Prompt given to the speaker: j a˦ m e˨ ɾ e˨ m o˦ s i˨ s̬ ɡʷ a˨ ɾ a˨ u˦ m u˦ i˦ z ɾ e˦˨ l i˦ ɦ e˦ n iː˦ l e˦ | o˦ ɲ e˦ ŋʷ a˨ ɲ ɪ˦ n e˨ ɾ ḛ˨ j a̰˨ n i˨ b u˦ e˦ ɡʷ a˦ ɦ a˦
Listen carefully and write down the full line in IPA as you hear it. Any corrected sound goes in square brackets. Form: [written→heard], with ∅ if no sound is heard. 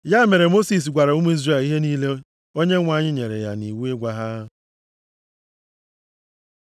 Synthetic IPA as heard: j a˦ m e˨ ɾ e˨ m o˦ s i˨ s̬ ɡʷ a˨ ɾ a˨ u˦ m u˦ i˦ z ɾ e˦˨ l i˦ ɦ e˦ n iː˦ l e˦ | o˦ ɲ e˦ ŋʷ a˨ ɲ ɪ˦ [n→ɲ] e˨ ɾ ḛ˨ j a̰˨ n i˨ [b→w] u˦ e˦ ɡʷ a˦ ɦ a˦